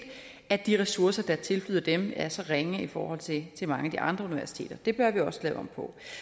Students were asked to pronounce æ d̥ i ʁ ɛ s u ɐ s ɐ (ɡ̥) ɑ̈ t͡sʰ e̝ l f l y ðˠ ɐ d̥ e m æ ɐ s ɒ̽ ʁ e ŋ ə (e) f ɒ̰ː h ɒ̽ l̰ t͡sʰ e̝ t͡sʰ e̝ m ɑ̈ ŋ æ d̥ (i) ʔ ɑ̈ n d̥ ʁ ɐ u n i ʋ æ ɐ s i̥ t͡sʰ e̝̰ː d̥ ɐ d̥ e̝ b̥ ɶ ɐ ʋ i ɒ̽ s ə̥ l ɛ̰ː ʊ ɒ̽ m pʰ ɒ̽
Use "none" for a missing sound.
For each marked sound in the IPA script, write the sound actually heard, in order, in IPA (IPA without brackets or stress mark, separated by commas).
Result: d̥, i, i